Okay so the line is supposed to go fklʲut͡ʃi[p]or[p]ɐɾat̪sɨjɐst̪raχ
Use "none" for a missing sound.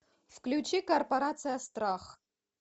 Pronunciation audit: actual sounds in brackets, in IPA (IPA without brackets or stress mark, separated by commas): k, p